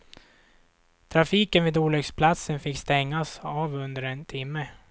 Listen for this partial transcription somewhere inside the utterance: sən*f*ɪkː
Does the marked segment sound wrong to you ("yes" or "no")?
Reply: no